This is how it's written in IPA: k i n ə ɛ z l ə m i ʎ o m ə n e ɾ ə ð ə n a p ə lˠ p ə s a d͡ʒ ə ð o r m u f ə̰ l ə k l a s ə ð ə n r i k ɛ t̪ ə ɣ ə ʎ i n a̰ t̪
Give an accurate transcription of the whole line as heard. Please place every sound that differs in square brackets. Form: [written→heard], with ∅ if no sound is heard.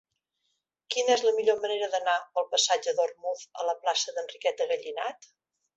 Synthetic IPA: k i n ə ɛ z l ə m i ʎ o m ə n e ɾ ə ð ə n a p ə lˠ p ə s a d͡ʒ ə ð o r m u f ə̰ l ə [k→p] l a s ə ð ə n r i k ɛ t̪ ə ɣ ə ʎ i n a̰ t̪